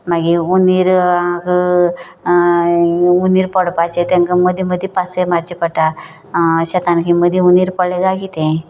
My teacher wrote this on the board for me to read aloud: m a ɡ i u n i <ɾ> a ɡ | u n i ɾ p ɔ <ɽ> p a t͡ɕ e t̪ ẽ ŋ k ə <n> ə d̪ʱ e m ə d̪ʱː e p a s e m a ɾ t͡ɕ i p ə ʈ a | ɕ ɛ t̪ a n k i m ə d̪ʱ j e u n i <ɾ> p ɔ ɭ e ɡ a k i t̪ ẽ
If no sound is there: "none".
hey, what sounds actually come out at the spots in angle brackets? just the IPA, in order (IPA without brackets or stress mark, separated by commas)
ɾ, ɽ, m, ɾ